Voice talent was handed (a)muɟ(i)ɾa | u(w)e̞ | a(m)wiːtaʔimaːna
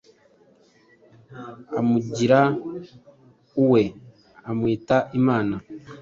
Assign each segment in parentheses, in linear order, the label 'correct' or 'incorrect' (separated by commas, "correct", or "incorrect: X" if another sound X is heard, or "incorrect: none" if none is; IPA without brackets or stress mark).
correct, correct, correct, correct